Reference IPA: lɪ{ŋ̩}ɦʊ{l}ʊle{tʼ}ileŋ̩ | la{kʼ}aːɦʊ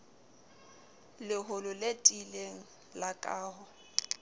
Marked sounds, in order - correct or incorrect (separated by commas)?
incorrect, correct, correct, correct